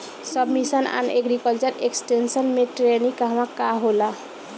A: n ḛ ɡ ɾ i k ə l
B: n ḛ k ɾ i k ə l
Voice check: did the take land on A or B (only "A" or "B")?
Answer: A